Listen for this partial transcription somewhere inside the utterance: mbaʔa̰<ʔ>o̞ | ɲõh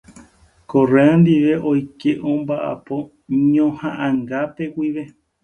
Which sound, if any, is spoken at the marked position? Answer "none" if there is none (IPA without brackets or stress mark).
p